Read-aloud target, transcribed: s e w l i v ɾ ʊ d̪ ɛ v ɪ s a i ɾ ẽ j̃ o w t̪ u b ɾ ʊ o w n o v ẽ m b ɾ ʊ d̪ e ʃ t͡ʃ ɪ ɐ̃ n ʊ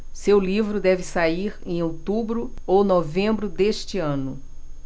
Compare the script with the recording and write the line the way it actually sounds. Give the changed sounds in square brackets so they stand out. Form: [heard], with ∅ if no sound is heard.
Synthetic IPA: s e w l i v ɾ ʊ d̪ ɛ v ɪ s a i ɾ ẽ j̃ o w t̪ u b ɾ ʊ o w n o v ẽ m b ɾ ʊ d̪ e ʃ t͡ʃ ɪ ɐ̃ n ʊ